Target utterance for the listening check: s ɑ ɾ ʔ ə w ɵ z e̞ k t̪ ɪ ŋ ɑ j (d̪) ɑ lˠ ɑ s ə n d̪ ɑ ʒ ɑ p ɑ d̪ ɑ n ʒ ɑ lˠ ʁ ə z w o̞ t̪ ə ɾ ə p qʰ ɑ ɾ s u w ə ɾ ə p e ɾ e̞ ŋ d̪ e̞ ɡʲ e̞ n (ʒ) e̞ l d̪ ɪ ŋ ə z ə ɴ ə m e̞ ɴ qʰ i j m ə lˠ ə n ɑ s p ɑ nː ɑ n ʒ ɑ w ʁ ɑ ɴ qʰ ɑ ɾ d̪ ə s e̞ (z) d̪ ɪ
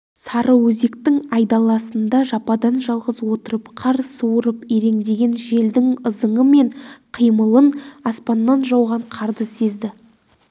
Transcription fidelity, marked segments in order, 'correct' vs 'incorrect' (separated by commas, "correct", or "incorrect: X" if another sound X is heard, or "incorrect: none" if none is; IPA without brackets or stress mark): correct, correct, correct